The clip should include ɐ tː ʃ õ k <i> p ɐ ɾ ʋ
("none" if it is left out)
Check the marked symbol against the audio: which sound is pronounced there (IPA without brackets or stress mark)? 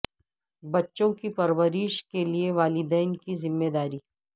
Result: i